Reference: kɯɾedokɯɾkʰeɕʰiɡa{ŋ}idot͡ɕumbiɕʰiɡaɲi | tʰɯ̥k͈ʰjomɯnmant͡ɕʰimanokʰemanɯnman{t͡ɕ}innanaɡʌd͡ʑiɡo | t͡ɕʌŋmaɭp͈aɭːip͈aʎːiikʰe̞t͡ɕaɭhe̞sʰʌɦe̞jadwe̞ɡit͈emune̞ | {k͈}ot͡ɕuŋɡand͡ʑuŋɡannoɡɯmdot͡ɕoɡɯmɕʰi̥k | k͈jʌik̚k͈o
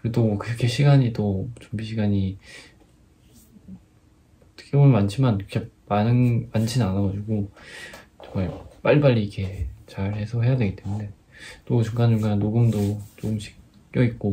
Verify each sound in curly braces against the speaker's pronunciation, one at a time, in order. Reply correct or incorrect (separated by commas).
incorrect, incorrect, incorrect